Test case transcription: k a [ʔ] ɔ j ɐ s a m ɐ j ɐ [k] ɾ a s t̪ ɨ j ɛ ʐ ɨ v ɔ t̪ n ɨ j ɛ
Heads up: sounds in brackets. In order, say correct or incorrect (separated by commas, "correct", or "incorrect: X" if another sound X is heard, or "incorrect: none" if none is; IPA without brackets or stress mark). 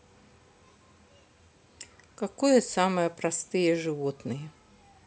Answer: incorrect: k, incorrect: p